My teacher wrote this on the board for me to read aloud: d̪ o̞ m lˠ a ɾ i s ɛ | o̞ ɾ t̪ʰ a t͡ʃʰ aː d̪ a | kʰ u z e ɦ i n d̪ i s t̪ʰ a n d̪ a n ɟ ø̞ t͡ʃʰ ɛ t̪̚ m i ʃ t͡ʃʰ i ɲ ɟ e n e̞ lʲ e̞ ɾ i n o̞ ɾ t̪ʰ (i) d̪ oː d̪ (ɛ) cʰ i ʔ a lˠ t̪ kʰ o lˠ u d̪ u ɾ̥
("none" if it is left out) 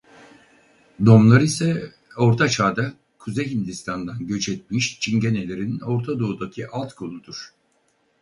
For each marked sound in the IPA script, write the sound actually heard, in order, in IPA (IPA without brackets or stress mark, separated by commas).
a, a